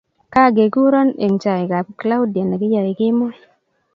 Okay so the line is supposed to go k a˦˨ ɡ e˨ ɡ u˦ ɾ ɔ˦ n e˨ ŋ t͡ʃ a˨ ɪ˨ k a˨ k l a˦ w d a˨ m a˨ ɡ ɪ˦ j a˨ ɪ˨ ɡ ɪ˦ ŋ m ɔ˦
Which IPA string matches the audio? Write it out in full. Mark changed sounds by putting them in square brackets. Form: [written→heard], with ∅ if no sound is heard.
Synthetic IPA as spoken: k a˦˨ ɡ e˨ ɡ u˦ ɾ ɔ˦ n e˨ ŋ t͡ʃ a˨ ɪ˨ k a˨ k l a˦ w d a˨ [m→n] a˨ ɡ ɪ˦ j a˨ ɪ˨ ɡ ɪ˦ [ŋ→∅] m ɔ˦

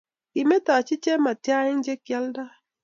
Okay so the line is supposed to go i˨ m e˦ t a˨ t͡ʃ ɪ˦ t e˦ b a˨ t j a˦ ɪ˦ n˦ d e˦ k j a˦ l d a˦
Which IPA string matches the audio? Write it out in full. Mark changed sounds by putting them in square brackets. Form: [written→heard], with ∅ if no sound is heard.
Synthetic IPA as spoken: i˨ m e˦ t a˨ t͡ʃ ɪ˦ [t→t͡ʃ] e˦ [b→m] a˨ t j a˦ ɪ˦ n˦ [d→d͡ʒ] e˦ k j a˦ l d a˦

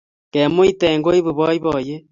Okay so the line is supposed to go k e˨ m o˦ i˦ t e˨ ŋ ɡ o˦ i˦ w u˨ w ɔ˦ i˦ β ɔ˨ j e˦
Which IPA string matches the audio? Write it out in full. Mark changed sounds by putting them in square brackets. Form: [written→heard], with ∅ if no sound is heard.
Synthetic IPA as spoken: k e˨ m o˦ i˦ t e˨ ŋ ɡ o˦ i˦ [w→β] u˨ [w→β] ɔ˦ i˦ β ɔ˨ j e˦

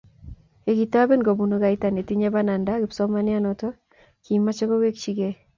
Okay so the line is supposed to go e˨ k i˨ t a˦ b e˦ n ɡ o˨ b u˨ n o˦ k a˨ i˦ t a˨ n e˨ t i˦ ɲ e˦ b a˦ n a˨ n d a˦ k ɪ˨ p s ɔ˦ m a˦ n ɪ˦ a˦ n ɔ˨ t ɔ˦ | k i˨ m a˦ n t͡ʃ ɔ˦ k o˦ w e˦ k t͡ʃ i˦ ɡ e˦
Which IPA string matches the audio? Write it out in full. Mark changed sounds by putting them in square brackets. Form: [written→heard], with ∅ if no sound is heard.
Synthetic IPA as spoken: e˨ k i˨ t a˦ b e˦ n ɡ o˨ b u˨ n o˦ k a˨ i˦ t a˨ n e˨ t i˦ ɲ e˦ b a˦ n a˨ n d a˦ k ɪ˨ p s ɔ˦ m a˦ n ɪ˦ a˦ n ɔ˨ t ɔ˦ | k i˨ m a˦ [n→∅] t͡ʃ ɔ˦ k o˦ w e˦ k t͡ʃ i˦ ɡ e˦

